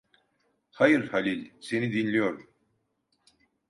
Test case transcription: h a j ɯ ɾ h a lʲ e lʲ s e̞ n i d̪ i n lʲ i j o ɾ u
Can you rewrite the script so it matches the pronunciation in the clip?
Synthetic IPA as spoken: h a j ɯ ɾ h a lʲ i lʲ s e̞ n i d̪ i n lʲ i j o ɾ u